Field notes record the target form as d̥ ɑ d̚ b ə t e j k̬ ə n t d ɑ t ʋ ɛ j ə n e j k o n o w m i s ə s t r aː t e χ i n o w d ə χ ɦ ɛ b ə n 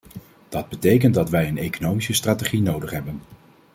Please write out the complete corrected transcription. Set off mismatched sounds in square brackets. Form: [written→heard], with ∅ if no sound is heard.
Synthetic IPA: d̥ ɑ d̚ b ə t e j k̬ ə n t d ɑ t ʋ ɛ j ə n e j k o n o w m i s ə s t r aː t e χ i n o w d ə χ ɦ ɛ b ə n

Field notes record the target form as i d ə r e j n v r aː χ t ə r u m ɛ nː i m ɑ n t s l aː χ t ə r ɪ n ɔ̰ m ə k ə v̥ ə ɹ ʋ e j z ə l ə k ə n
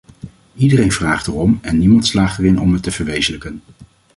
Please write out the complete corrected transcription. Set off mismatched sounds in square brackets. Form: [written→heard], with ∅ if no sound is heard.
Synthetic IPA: i d ə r e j n v r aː χ t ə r [u→ɔ] m ɛ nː i m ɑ n t s l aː χ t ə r ɪ n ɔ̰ m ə [k→t] ə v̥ ə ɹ ʋ e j z ə l ə k ə n

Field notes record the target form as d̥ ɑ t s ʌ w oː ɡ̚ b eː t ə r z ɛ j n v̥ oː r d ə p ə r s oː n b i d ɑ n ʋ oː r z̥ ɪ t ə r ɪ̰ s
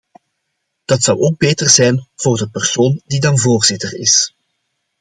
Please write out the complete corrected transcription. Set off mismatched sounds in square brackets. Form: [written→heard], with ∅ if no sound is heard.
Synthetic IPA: d̥ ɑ t s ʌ w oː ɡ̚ b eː t ə r z ɛ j n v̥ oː r d ə p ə r s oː n [b→d] i d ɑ n [ʋ→v] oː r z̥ ɪ t ə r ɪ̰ s

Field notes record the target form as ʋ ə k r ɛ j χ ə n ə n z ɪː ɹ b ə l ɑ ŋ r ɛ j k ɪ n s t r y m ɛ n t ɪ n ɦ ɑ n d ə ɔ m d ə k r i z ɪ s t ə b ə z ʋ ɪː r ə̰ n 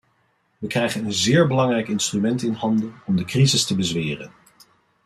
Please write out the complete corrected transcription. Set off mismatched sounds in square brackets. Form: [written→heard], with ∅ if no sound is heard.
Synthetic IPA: ʋ ə k r ɛ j χ ə n ə n z ɪː ɹ b ə l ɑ ŋ r ɛ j k ɪ n s t r y m ɛ n t ɪ n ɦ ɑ n d ə ɔ m d ə k r i z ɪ s t ə b ə z ʋ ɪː r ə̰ n

